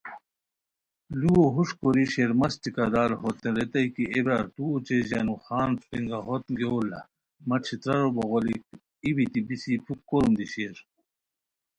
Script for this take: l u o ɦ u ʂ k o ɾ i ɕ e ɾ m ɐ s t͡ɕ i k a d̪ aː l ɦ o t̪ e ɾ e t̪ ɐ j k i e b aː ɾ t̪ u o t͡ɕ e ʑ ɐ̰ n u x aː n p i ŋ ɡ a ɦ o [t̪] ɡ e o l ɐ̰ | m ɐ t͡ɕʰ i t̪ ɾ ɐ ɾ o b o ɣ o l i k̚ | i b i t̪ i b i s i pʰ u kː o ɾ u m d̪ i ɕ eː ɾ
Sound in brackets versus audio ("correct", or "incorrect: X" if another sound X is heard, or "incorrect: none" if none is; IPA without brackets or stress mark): correct